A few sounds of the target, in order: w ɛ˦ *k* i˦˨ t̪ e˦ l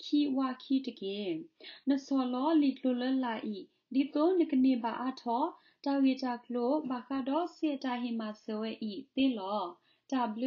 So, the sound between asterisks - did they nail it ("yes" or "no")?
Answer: no